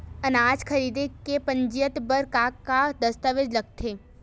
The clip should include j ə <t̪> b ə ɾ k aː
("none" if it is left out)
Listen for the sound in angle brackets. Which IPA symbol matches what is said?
t̪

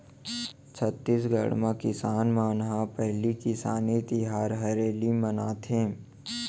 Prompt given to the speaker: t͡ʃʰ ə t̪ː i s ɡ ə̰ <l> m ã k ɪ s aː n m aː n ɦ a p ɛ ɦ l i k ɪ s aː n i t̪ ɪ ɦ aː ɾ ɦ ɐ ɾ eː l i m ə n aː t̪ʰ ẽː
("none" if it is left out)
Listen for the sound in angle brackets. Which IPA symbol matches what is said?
ɽ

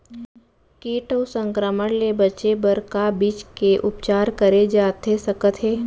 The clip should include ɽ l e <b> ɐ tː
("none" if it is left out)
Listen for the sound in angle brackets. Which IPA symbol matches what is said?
b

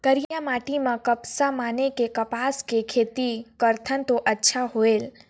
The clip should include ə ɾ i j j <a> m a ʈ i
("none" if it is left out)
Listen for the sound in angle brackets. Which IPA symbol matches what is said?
a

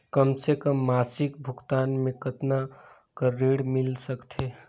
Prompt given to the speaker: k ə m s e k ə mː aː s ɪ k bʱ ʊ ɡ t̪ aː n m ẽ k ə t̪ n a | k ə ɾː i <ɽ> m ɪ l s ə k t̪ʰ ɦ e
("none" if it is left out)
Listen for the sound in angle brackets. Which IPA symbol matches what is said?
ɽ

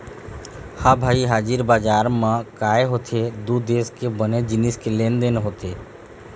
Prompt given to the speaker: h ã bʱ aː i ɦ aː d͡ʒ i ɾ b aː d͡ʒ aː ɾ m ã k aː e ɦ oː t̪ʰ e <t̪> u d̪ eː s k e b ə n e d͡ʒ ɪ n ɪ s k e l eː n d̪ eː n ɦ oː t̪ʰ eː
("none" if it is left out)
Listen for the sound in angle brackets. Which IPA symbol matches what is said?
d̪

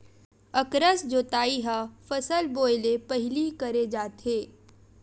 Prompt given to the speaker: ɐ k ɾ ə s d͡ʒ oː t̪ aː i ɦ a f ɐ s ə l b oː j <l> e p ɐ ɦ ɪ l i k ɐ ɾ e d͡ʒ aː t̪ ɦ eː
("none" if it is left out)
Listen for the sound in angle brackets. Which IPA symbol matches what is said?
l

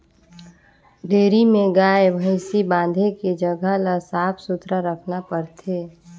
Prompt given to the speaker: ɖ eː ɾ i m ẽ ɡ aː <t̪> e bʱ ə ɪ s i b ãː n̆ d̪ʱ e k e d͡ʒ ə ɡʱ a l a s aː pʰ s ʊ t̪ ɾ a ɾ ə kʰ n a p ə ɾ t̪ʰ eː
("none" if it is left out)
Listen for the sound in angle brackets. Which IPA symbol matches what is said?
none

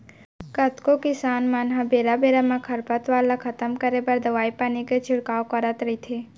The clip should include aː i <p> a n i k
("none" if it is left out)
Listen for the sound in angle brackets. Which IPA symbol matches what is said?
p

